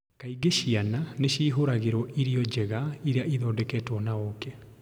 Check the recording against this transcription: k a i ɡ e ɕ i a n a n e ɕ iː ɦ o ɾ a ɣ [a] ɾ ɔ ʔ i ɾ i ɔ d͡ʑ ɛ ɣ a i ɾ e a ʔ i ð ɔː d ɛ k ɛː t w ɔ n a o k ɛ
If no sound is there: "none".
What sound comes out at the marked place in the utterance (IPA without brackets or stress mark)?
e